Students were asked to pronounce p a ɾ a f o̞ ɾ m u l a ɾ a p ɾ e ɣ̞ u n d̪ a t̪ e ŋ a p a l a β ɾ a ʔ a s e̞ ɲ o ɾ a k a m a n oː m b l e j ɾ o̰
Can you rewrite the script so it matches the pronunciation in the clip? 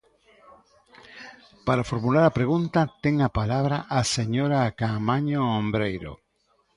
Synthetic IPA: p a ɾ a f o̞ ɾ m u l a ɾ a p ɾ e ɣ̞ u n t̪ a t̪ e ŋ a p a l a β ɾ a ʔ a s e̞ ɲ o ɾ a k a m a ɲ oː m b ɾ e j ɾ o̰

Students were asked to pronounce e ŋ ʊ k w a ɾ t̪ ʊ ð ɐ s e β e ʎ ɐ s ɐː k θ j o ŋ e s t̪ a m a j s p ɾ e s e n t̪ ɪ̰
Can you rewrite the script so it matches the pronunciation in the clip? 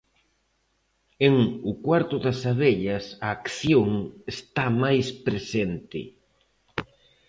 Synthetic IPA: e ŋ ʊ k w a ɾ t̪ ʊ ð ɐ s a β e ʎ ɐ s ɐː k θ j o ŋ e s t̪ a m a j s p ɾ e s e n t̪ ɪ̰

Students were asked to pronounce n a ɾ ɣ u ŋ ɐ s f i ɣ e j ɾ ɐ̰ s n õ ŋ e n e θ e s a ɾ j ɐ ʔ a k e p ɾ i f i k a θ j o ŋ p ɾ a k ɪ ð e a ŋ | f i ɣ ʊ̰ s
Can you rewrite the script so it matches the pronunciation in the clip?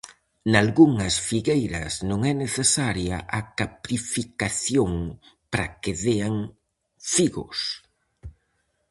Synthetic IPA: n a l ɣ u ŋ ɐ s f i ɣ e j ɾ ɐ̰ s n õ ŋ ɛ n e θ e s a ɾ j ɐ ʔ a k a p ɾ i f i k a θ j o ŋ p ɾ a k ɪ ð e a ŋ | f i ɣ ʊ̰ s

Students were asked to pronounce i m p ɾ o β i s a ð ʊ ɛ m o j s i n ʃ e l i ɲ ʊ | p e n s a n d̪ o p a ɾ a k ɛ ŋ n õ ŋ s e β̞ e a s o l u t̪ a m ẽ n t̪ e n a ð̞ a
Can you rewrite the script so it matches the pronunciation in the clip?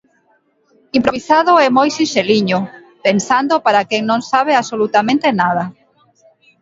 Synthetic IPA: i m p ɾ o β i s a ð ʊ ɛ m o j s i n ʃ e l i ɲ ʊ | p e n s a n d̪ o p a ɾ a k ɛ ŋ n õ ŋ s a β̞ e a s o l u t̪ a m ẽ n t̪ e n a ð̞ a

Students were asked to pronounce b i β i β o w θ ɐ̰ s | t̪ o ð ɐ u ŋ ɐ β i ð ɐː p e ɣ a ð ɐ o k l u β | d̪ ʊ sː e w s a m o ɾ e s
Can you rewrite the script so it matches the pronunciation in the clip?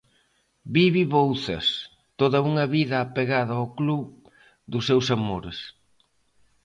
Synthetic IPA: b i β i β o w θ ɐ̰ s | t̪ o ð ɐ u ŋ ɐ β i ð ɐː p e ɣ a ð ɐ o k l u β | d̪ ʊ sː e w s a m o ɾ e s

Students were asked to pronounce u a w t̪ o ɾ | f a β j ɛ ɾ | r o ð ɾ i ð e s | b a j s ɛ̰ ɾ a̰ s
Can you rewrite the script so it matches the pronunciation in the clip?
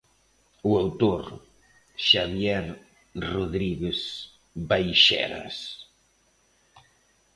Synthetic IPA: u a w t̪ o ɾ | ʃ a β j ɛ ɾ | r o ð ɾ i ɣ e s | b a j ʃ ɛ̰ ɾ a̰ s

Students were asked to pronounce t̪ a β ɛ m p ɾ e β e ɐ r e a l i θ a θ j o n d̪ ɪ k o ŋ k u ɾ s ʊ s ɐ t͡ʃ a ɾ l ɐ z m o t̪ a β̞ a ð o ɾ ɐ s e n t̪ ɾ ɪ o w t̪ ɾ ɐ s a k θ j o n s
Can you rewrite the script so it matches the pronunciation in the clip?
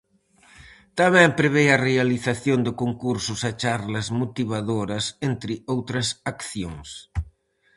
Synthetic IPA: t̪ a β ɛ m p ɾ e β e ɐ r e a l i θ a θ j o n d̪ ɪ k o ŋ k u ɾ s ʊ s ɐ t͡ʃ a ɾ l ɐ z m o t̪ i β̞ a ð o ɾ ɐ s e n t̪ ɾ ɪ o w t̪ ɾ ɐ s a k θ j o ŋ s

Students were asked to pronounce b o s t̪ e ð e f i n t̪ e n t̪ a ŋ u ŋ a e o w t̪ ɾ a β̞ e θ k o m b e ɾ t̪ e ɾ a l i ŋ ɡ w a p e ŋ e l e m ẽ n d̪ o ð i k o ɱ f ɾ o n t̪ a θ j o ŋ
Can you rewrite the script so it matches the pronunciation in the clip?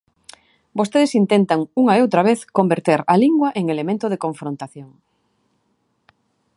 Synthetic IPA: b o s t̪ e ð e s i n t̪ e n t̪ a ŋ u ŋ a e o w t̪ ɾ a β̞ e θ k o m b e ɾ t̪ e ɾ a l i ŋ ɡ w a ʔ e ŋ e l e m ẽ n t̪ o ð e k o ɱ f ɾ o n t̪ a θ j o ŋ

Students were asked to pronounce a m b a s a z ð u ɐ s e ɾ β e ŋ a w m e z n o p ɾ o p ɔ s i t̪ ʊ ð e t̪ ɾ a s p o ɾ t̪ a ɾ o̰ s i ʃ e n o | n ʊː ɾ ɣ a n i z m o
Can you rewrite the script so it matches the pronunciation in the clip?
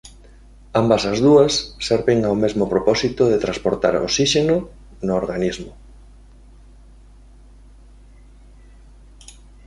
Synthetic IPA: a m b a s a z ð u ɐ sː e ɾ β e ŋ a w m e z m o p ɾ o p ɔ s i t̪ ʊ ð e t̪ ɾ a s p o ɾ t̪ a ɾ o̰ s i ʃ e n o | n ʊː ɾ ɣ a n i z m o

